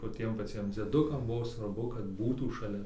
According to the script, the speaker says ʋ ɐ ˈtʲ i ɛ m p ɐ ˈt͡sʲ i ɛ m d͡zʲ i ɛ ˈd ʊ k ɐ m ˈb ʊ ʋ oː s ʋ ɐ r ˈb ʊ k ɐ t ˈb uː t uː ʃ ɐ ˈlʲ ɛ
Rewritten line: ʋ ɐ ˈtʲ i ɛ m p ɐ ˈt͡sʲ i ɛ m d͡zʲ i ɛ ˈd ʊ k ɐ m ˈb ʊ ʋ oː s ʋ ɐ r ˈb ʊ k ɐ t ˈb uː t uː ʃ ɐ ˈlʲ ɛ